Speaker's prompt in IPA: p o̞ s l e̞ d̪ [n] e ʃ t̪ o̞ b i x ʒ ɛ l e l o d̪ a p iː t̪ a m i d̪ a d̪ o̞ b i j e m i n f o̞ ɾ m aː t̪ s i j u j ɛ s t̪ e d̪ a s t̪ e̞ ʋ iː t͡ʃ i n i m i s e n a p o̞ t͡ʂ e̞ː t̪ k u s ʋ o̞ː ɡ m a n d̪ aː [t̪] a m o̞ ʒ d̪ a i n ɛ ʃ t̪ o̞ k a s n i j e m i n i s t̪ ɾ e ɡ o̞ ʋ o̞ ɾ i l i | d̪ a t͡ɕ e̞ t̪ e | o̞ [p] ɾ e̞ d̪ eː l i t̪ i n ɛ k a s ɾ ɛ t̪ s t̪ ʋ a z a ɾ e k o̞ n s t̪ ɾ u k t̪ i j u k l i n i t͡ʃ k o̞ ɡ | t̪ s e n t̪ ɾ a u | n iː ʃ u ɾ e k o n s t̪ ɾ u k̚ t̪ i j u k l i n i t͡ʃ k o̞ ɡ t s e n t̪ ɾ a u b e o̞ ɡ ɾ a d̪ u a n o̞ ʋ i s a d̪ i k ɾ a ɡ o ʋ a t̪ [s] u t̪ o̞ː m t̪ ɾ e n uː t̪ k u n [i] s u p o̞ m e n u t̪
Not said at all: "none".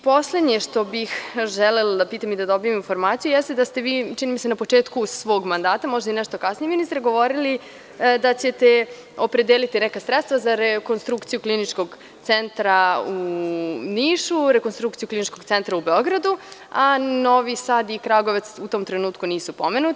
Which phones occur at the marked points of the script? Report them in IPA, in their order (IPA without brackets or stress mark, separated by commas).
ɲ, t̪, p, s, iː